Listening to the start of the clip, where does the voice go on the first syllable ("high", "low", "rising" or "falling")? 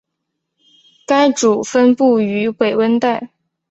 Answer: high